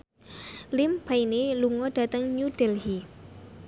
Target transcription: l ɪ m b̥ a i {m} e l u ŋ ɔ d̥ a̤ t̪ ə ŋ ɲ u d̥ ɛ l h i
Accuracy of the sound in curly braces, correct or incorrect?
incorrect